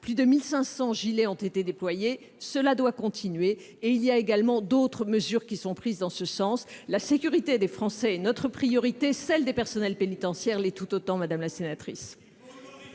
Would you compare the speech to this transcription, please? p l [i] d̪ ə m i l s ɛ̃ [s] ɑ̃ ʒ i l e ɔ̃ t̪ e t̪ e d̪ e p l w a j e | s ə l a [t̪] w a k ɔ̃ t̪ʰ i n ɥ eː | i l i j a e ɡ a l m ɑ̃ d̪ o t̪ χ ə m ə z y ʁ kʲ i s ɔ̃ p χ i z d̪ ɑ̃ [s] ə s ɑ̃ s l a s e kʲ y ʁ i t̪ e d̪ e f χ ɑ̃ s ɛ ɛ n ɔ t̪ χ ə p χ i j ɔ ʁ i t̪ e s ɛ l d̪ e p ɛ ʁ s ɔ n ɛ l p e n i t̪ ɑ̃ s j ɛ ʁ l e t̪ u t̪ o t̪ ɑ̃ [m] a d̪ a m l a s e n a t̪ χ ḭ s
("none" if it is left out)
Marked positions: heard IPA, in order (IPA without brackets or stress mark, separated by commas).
y, s, d̪, s, m